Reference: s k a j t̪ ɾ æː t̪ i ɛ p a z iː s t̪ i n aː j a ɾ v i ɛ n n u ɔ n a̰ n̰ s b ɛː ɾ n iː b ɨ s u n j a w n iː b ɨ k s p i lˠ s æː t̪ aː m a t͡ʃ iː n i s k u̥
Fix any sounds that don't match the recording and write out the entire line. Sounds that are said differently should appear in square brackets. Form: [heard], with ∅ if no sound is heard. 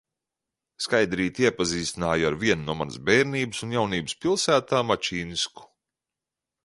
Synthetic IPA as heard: s k a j [d̪] ɾ [iː] t̪ i ɛ p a z iː s t̪ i n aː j a ɾ v i ɛ n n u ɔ [m] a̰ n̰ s b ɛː ɾ n iː b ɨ s u n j a w n iː b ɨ [∅] s p i lˠ s æː t̪ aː m a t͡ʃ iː n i s k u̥